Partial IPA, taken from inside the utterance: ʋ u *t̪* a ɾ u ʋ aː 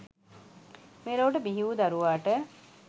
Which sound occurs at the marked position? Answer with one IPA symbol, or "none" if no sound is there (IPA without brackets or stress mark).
d̪